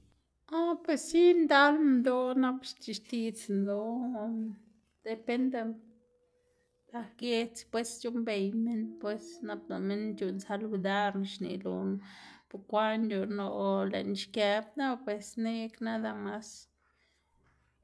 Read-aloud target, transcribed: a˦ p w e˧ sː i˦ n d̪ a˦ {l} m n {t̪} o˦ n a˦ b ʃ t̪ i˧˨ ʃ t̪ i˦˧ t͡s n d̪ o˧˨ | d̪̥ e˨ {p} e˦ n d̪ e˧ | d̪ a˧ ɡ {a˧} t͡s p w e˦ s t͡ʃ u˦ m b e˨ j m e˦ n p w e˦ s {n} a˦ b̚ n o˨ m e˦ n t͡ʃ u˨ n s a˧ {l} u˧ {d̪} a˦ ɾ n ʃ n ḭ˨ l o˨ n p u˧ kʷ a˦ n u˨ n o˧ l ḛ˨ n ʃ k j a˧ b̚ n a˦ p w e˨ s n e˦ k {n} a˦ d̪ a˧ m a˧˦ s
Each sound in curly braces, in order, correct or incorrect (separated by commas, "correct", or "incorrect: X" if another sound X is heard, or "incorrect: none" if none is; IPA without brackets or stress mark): correct, incorrect: d̪, correct, incorrect: e˧, correct, correct, correct, correct